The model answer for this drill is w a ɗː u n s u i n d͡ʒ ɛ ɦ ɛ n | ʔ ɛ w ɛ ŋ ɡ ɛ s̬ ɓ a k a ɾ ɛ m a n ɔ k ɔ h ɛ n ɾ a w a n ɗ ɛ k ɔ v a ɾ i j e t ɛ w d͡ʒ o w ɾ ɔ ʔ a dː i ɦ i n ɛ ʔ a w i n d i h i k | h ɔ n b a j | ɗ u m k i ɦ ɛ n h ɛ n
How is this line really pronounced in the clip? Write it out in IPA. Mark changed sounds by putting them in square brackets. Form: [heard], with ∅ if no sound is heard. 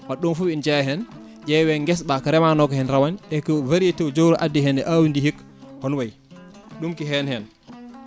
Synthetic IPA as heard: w a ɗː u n [f] u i n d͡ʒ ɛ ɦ ɛ n | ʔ ɛ w ɛ ŋ ɡ ɛ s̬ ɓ a k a ɾ ɛ m a n ɔ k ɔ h ɛ n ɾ a w a n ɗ ɛ k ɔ v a ɾ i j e t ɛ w d͡ʒ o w ɾ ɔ ʔ a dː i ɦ [ɛ] n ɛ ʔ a w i n d i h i k | h ɔ n [w] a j | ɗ u m k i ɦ ɛ n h ɛ n